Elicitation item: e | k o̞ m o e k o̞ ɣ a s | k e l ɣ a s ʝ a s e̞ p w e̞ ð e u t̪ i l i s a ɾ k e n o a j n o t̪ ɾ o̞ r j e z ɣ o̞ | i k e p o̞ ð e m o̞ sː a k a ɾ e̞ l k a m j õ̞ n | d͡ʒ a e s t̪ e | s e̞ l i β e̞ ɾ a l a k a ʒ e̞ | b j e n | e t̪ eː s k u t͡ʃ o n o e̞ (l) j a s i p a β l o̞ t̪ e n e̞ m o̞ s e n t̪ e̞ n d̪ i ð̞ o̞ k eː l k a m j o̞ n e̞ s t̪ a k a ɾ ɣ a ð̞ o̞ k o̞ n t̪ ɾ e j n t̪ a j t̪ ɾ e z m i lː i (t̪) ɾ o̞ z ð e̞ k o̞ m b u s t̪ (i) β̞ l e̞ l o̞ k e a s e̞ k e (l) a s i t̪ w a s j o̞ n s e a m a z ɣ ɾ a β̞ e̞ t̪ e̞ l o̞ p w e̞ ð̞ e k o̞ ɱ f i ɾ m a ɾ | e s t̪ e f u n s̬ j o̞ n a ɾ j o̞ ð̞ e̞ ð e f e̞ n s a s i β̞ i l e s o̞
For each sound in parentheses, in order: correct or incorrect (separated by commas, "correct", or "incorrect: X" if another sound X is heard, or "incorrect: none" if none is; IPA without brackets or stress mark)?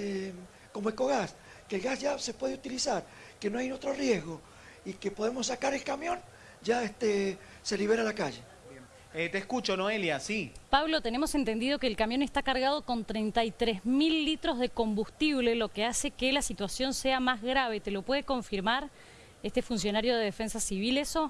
correct, correct, correct, correct